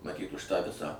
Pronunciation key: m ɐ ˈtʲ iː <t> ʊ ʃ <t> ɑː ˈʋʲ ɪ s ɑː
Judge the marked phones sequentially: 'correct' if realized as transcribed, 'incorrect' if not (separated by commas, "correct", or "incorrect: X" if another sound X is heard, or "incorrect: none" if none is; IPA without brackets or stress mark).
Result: correct, correct